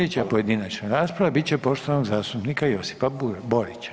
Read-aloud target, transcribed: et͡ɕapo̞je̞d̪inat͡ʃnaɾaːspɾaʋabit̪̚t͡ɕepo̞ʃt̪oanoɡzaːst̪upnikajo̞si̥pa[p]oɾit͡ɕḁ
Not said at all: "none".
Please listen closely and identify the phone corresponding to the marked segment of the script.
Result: b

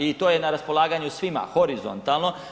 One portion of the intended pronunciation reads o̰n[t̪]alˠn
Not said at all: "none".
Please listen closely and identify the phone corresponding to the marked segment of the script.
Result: t̪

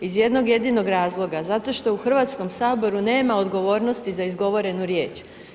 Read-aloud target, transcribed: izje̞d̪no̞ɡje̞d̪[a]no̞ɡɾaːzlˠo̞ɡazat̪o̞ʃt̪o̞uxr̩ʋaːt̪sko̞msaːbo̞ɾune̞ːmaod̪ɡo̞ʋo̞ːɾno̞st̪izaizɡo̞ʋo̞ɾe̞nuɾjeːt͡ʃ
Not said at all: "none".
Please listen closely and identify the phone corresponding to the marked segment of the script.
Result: i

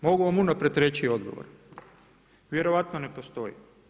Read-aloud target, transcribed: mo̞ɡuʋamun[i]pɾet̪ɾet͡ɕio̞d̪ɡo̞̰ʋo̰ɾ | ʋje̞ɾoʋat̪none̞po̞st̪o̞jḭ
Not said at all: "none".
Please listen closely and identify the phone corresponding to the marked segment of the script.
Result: a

